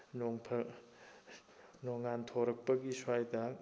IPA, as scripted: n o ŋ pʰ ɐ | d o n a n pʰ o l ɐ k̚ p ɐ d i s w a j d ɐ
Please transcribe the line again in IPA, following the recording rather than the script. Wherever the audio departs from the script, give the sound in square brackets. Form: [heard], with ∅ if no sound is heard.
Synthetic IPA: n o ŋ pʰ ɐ | [n] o [ŋ] a n [tʰ] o [ɾ] ɐ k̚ p ɐ [ɡ] i s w a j d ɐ